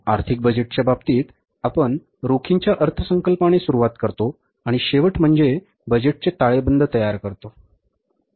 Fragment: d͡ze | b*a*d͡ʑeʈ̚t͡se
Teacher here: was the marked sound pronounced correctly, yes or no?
no